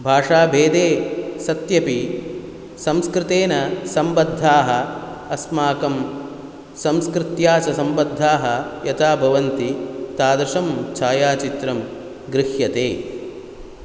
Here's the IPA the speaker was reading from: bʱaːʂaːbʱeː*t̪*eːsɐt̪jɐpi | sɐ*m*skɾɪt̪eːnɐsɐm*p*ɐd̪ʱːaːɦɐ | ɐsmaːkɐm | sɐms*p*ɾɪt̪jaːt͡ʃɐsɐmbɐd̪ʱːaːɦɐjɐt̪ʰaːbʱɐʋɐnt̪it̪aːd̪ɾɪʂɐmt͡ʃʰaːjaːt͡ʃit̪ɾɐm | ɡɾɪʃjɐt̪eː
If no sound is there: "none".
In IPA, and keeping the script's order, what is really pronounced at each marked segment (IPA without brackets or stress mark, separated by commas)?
d̪, m, b, k